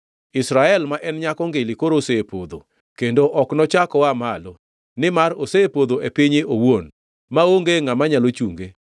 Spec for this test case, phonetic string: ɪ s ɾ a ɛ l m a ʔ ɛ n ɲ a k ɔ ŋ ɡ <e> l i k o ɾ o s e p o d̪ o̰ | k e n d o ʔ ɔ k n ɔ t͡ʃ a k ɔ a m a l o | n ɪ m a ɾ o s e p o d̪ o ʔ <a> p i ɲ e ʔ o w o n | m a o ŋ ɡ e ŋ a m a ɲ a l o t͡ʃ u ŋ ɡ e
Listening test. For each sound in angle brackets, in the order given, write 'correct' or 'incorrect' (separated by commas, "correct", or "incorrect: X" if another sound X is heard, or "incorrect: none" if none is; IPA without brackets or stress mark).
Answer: correct, incorrect: e